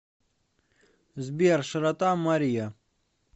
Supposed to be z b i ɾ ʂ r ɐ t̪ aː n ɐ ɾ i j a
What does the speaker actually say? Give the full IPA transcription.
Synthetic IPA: z b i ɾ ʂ ɾ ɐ t̪ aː m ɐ ɾ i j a

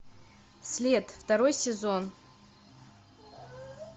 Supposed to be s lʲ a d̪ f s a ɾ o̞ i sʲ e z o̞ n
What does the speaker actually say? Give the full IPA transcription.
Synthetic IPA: s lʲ e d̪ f t a ɾ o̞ j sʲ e z o̞ n

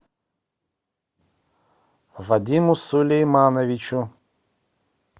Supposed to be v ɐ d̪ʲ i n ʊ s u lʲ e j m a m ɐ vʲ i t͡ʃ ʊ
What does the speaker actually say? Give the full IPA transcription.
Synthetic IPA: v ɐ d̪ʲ i m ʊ s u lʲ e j m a n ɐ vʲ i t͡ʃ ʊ

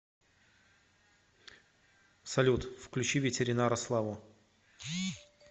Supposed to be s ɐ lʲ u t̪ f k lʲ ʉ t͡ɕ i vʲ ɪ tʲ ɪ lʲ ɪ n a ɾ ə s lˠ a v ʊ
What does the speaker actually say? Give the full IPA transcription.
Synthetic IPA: s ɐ lʲ u t̪ f k lʲ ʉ t͡ɕ i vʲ ɪ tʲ ɪ ɾʲ ɪ n a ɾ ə s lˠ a v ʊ

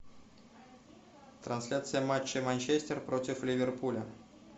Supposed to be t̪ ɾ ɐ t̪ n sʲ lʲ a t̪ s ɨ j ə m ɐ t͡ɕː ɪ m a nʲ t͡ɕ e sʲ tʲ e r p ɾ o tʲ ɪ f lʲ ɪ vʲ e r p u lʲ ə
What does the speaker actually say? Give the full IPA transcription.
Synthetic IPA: t̪ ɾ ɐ n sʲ lʲ a t̪ s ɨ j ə m a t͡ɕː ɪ m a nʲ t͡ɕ e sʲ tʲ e r p ɾ o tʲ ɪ f lʲ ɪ vʲ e r p u lʲ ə

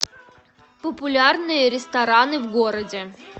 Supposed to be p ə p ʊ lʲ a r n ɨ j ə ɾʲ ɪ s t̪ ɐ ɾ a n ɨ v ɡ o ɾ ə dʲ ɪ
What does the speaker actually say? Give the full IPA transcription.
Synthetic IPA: p ə p ʊ lʲ a r n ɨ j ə ɾʲ ɪ s t̪ ɐ ɾ a n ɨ v ɡ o ɾ ə dʲ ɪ

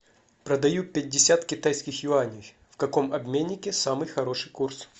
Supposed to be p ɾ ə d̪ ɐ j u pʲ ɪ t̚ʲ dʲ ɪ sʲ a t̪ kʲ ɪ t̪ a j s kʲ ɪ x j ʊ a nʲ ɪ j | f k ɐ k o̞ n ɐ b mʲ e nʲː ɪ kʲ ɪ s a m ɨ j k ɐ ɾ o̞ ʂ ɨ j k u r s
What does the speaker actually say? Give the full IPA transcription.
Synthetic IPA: p ɾ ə d̪ ɐ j u pʲ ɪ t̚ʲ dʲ ɪ sʲ a t̪ kʲ ɪ t̪ a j s kʲ ɪ x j ʊ a nʲ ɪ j | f k ɐ k o̞ m ɐ b mʲ e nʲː ɪ kʲ ɪ s a m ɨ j x ɐ ɾ o̞ ʂ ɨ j k u r s

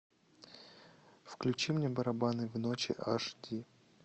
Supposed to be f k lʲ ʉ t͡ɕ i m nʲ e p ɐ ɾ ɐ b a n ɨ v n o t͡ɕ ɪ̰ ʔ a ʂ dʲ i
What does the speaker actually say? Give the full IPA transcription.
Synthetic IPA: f k lʲ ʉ t͡ɕ i m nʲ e b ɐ ɾ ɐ b a n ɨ v n o t͡ɕ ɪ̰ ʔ a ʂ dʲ i

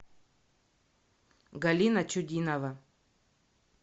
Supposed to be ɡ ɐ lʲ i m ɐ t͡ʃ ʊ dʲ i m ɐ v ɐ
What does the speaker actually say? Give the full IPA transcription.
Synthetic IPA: ɡ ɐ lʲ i n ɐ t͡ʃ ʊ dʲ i n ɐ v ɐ

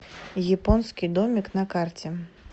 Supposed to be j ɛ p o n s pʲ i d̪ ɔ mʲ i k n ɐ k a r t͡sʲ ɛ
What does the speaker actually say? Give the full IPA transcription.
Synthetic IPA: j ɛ p ɔ n s kʲ i d̪ ɔ mʲ i k n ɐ k a r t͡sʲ ɛ

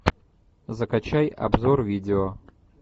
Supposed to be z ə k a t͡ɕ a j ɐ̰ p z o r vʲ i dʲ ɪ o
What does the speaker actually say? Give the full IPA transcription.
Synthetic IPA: z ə k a t͡ɕ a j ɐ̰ b z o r vʲ i dʲ ɪ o

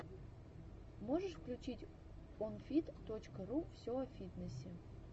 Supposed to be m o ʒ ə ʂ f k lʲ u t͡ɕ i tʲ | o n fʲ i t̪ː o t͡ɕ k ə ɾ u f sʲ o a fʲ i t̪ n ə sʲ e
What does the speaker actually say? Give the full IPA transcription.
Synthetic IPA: m o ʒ ə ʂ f k lʲ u t͡ɕ i tʲ | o n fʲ i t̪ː o t͡ɕ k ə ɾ u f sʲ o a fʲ i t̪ n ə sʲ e

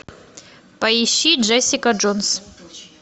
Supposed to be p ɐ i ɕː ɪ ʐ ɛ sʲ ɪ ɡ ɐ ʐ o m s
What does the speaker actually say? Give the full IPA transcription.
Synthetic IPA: p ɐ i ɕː i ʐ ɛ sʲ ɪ k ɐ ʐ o n s

